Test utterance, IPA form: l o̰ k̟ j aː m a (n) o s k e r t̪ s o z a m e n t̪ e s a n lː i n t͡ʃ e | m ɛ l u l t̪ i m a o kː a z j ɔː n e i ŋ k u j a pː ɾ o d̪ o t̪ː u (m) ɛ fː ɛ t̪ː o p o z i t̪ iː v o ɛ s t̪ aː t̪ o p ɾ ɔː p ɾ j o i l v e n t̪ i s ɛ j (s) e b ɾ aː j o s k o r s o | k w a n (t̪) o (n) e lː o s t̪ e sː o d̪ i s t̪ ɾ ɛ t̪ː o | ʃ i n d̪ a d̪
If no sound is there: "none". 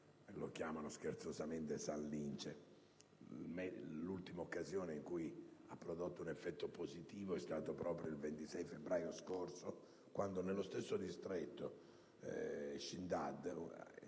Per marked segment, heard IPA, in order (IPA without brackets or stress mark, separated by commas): n, n, f, d̪, n